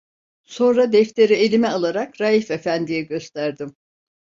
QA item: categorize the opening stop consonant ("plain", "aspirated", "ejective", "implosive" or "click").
plain